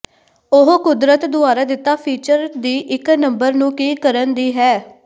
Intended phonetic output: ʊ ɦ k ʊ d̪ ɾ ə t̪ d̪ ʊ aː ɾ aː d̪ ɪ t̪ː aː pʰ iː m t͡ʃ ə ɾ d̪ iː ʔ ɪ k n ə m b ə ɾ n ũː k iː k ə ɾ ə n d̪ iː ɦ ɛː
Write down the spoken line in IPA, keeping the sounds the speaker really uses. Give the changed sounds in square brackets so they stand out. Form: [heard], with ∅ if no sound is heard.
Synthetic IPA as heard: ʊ ɦ k ʊ d̪ ɾ ə t̪ d̪ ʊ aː ɾ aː d̪ ɪ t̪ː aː pʰ iː [∅] t͡ʃ ə ɾ d̪ iː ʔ ɪ k n ə m b ə ɾ n ũː k iː k ə ɾ ə n d̪ iː ɦ ɛː